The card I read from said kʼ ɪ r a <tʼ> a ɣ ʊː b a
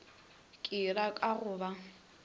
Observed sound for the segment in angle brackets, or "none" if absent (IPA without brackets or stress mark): kʼ